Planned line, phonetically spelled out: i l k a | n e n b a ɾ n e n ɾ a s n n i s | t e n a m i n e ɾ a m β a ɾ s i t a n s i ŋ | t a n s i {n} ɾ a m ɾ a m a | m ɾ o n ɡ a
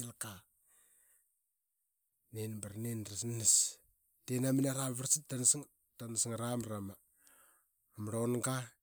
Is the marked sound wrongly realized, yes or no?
yes